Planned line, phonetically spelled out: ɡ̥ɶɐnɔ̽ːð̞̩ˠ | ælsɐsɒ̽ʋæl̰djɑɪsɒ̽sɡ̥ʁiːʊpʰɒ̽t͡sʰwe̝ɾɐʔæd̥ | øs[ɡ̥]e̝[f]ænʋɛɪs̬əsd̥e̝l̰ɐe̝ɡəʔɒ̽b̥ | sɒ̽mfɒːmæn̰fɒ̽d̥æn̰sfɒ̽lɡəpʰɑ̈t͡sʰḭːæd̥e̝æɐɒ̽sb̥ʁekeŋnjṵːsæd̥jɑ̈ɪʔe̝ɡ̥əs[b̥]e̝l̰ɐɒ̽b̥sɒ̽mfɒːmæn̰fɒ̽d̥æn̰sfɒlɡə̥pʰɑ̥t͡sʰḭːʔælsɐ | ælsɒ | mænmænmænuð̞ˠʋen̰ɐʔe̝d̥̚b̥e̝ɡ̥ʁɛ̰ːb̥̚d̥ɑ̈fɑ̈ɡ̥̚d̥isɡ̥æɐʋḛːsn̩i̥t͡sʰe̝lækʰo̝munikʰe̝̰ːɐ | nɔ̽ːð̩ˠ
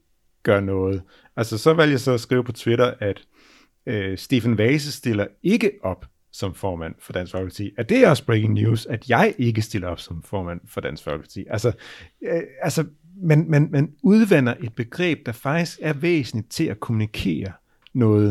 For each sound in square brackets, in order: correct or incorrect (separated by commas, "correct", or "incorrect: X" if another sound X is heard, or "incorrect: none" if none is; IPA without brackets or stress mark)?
incorrect: d̥, correct, incorrect: d̥